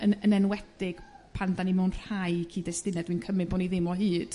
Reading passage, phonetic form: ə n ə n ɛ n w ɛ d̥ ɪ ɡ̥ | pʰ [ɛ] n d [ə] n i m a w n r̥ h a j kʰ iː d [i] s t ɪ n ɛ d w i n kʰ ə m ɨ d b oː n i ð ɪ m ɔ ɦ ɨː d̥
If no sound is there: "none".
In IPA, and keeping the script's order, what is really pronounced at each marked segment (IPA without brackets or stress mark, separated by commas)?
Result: a, a, ɛ